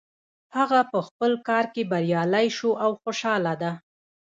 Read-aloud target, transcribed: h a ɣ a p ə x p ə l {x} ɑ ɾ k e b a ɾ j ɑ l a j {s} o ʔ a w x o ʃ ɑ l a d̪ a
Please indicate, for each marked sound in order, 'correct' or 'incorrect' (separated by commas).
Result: incorrect, incorrect